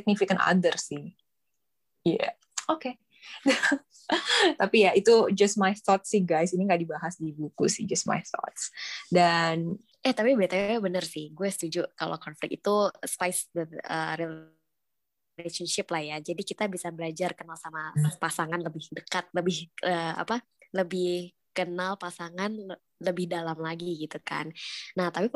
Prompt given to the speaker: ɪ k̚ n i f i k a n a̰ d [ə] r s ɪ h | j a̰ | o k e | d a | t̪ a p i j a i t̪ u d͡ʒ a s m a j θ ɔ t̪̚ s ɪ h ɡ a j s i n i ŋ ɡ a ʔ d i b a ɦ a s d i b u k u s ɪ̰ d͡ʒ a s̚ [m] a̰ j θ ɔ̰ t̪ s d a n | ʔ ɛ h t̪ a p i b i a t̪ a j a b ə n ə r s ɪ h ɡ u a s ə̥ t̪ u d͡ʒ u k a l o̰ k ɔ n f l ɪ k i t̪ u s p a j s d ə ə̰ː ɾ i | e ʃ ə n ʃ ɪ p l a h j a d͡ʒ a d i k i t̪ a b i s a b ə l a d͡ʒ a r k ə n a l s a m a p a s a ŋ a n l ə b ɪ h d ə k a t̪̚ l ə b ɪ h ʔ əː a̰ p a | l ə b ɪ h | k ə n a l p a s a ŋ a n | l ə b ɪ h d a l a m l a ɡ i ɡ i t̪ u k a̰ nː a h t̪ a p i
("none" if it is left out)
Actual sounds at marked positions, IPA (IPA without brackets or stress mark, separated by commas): ə, m